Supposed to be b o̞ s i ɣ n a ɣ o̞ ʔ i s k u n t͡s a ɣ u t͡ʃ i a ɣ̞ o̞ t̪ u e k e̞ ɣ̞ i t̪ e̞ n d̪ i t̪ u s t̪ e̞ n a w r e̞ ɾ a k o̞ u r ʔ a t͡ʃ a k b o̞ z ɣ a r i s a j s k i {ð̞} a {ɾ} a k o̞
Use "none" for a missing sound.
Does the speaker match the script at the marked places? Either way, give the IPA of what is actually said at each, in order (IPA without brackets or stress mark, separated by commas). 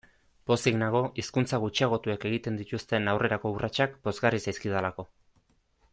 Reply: ð̞, l